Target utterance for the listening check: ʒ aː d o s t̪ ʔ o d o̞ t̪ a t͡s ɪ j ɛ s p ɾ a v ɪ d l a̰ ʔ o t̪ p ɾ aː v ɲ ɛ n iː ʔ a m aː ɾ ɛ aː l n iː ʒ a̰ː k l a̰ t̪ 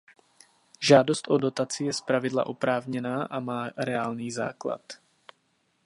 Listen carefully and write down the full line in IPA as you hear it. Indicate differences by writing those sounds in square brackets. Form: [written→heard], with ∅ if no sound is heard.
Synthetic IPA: ʒ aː d o s t̪ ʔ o d o̞ t̪ a t͡s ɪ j ɛ s p ɾ a v ɪ d l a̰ ʔ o [t̪→∅] p ɾ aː v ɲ ɛ n [iː→aː] ʔ a m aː ɾ ɛ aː l n iː [ʒ→z] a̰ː k l a̰ t̪